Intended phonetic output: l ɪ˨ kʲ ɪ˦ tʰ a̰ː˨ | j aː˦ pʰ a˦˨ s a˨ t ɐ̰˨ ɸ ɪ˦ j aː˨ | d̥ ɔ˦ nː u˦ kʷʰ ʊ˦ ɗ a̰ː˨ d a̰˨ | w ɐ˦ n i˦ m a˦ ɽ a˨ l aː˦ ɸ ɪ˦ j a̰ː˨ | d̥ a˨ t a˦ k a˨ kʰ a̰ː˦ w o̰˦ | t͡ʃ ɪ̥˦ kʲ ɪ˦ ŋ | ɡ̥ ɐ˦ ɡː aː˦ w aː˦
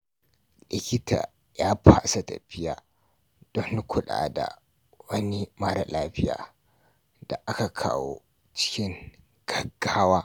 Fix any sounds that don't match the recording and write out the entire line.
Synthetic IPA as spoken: l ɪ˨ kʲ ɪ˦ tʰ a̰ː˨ | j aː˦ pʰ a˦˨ s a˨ t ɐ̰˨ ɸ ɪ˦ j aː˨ | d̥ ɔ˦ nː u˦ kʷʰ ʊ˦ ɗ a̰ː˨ d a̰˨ | w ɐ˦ n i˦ m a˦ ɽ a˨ l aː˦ ɸ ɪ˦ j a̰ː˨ | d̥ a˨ ʔ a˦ k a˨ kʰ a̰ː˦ w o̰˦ | t͡ʃ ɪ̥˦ kʲ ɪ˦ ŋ | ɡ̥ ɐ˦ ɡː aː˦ w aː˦